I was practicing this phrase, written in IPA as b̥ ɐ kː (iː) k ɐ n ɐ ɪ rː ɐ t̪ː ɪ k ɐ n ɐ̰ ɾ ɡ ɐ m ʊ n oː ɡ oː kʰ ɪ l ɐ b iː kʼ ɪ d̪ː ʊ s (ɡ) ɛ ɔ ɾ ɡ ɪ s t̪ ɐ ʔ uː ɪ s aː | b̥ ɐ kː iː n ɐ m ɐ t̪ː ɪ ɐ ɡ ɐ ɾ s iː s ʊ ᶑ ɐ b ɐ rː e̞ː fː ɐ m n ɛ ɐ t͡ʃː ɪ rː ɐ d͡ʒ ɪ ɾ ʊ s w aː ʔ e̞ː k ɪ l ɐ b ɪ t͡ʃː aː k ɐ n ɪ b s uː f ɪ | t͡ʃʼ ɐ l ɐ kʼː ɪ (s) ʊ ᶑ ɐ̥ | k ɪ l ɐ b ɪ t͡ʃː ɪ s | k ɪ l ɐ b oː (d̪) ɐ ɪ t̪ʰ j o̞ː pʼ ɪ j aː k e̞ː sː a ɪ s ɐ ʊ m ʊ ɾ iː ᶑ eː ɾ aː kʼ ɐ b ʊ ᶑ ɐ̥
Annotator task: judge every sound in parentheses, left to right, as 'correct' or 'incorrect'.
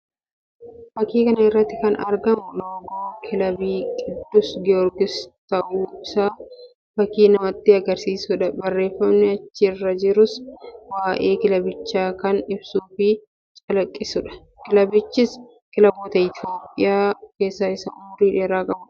correct, correct, correct, incorrect

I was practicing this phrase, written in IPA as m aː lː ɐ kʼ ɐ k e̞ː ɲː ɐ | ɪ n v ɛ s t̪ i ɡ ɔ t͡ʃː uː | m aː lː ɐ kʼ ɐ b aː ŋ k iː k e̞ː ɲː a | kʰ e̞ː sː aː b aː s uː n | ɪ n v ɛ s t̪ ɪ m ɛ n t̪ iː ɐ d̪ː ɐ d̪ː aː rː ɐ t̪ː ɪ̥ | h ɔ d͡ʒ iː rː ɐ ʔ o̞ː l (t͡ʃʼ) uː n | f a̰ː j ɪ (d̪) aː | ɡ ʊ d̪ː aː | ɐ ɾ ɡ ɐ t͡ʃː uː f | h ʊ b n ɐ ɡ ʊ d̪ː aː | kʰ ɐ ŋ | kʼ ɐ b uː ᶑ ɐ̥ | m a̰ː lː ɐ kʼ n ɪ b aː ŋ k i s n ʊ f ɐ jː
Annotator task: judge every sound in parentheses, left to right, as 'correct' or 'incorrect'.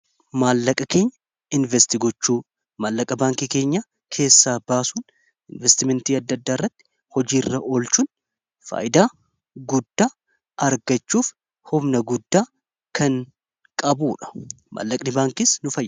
incorrect, correct

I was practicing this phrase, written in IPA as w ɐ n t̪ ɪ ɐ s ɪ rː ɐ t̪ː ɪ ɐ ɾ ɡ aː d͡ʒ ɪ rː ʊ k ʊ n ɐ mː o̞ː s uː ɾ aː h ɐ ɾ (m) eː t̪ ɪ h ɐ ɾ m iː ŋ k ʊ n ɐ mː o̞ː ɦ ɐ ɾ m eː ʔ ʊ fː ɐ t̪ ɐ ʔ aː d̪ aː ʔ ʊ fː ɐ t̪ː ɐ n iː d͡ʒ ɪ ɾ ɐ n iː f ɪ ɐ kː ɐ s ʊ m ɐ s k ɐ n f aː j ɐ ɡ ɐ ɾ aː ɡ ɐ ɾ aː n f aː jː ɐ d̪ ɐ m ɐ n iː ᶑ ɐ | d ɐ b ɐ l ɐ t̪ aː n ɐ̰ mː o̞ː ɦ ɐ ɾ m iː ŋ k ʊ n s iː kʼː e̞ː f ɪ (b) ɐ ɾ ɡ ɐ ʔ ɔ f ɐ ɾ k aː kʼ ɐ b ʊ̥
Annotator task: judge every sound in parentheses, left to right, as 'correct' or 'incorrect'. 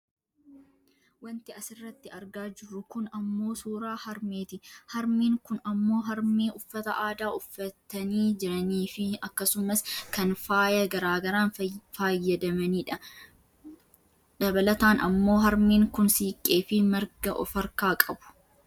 correct, incorrect

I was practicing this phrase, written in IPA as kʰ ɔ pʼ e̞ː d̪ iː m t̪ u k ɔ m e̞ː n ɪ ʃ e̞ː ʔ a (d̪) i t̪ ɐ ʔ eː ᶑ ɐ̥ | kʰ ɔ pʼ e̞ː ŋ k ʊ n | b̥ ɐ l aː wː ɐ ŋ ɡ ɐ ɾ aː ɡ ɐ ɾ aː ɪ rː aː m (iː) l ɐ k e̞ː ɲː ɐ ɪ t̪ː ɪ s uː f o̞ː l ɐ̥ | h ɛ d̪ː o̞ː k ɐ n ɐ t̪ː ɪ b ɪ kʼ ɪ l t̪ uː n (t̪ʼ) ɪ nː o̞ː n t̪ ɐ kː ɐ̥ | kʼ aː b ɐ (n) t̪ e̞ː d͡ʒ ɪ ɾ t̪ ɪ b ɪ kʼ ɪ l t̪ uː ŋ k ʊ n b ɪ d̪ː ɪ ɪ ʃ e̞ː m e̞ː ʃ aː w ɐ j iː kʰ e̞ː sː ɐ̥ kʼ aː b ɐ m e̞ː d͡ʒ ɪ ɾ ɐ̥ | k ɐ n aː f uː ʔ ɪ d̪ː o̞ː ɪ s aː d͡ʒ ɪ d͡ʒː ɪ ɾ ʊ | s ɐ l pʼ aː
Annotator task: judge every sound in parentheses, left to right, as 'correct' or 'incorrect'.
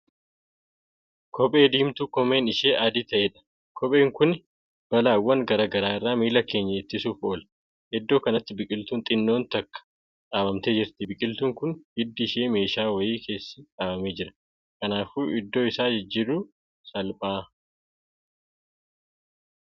correct, correct, correct, incorrect

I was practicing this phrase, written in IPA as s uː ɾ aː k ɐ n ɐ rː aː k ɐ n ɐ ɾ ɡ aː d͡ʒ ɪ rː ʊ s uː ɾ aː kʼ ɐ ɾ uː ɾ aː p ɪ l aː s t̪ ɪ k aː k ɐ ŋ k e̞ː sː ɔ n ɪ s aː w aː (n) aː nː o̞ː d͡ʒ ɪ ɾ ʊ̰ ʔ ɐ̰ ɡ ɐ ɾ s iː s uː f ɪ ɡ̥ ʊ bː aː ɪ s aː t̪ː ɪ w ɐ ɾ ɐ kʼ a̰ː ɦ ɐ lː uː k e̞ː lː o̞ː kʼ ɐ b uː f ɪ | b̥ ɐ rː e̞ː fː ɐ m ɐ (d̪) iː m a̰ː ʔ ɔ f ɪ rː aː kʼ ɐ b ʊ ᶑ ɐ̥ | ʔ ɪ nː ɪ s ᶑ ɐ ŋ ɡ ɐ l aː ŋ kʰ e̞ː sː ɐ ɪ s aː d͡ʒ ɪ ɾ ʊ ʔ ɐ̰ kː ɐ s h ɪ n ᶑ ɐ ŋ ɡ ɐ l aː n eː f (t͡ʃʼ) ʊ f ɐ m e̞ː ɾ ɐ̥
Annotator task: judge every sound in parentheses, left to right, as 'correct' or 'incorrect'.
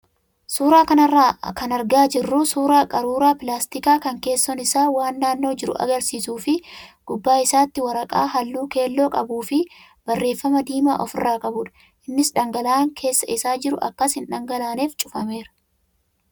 incorrect, correct, correct

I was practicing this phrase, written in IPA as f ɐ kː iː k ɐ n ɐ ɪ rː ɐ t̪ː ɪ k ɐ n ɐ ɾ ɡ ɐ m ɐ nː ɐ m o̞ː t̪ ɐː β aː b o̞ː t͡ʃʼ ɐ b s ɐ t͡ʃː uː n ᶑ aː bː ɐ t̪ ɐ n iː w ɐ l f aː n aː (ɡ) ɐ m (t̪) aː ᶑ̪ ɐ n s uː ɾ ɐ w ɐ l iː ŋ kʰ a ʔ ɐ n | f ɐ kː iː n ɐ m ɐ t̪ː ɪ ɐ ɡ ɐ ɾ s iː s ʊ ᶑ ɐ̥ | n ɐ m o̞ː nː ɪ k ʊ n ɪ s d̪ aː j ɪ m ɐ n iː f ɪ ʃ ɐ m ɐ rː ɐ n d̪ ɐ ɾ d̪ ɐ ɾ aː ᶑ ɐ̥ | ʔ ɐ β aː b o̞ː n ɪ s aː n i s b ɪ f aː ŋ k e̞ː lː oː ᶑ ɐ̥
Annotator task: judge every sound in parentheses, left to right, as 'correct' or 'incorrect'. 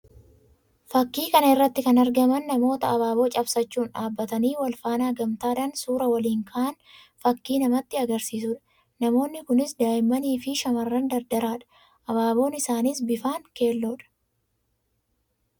correct, correct

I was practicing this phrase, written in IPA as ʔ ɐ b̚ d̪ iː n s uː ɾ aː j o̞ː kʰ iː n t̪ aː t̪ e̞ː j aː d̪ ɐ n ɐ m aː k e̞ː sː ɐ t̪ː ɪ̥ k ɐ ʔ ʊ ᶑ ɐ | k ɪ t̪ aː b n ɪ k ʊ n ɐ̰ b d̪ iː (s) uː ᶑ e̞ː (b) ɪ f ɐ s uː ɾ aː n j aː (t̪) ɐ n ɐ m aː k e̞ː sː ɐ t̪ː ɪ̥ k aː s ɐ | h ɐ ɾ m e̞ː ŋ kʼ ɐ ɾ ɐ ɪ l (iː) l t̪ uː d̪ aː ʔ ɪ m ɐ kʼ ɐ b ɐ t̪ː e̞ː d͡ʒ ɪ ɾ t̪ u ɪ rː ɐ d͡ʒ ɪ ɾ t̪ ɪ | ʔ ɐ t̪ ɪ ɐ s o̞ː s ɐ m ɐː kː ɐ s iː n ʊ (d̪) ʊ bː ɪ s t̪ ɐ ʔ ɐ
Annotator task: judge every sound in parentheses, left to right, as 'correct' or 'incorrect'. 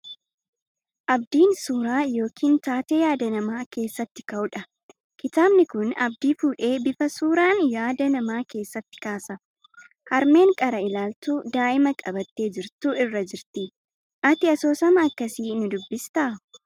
incorrect, correct, incorrect, incorrect, correct

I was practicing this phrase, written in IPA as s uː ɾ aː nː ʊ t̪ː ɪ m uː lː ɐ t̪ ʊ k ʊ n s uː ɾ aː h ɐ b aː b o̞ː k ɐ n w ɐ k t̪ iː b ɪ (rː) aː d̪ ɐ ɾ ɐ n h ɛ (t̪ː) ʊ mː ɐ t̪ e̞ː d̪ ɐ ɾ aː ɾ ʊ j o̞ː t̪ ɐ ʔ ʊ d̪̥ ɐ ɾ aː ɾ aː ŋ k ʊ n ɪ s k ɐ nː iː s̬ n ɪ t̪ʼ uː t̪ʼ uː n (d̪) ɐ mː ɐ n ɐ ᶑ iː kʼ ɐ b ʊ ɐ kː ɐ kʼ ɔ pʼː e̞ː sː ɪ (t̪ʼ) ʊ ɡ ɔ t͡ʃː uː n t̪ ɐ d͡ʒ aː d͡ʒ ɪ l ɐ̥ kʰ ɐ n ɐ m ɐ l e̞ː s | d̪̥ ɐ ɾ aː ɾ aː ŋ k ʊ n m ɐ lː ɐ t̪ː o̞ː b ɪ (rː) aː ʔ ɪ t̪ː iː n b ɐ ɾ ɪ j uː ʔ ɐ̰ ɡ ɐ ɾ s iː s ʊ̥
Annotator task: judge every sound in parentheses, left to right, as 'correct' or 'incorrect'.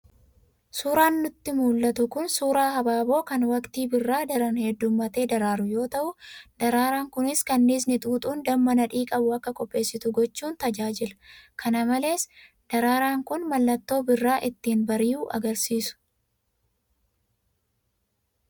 correct, incorrect, correct, incorrect, correct

